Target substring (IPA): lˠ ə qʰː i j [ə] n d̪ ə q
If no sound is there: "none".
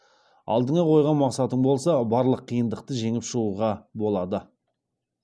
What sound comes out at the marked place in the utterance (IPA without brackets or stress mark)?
ə